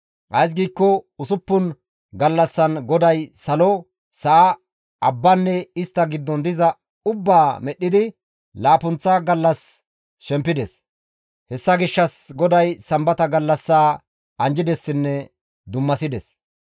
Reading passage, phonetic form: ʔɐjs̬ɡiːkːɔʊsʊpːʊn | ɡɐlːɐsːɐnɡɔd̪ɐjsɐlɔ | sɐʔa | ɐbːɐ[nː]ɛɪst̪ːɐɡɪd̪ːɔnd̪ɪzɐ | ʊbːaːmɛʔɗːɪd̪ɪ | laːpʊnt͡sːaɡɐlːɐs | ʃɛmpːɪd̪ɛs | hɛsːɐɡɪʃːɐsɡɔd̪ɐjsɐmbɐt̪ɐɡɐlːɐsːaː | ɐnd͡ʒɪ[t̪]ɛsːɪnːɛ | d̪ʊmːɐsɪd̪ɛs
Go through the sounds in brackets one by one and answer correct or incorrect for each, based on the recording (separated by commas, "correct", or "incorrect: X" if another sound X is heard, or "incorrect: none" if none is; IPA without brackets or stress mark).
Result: correct, incorrect: d̪